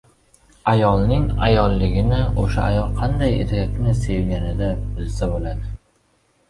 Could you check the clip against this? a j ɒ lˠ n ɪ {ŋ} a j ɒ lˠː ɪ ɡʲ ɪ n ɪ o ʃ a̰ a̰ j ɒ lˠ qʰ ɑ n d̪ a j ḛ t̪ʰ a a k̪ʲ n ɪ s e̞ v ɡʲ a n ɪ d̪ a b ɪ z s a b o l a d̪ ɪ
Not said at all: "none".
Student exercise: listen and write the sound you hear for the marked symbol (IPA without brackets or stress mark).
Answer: ŋ